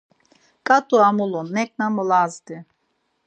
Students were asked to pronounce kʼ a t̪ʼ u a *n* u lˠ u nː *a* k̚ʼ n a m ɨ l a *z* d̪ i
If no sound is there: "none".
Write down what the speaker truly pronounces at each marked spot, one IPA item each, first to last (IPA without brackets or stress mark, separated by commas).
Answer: m, ɛ, z